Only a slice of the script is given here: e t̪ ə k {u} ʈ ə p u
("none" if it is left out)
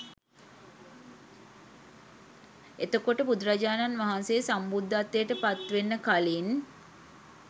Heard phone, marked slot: o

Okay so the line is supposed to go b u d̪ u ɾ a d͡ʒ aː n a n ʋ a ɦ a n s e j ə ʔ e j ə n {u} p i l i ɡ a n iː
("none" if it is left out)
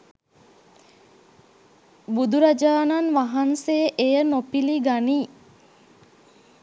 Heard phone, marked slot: o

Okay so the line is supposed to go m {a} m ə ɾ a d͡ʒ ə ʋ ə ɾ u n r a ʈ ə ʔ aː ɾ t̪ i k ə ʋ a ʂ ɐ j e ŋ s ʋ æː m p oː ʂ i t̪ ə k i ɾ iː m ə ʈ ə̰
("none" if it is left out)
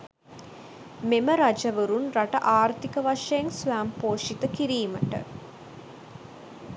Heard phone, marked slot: e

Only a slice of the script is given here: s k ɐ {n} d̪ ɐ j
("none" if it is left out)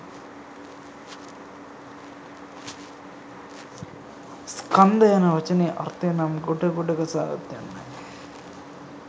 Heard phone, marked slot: n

